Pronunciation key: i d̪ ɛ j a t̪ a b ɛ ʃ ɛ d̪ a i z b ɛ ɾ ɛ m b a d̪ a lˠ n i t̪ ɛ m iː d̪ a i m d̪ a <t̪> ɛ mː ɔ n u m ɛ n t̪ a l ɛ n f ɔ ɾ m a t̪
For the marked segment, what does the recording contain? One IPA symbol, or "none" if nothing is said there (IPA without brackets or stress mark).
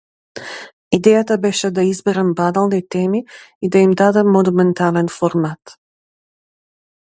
d̪